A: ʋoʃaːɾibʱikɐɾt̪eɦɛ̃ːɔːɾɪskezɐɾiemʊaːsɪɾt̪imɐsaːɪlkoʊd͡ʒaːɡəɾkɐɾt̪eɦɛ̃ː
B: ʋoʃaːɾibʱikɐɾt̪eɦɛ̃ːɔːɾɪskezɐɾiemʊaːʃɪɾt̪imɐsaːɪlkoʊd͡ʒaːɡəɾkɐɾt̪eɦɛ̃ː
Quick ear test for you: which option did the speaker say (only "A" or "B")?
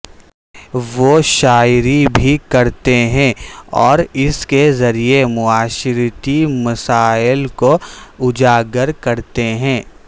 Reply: B